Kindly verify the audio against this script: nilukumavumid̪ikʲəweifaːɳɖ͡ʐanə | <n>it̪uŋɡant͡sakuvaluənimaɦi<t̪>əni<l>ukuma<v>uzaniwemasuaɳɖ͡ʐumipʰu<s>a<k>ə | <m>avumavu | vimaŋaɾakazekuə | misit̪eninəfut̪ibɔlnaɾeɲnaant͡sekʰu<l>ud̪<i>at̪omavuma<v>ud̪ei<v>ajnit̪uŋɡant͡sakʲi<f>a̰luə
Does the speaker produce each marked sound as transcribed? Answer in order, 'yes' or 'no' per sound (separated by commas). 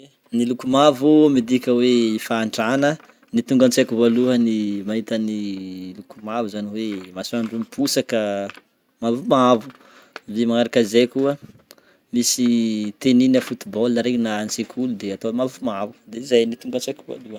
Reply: yes, yes, yes, yes, yes, yes, yes, yes, no, yes, no, no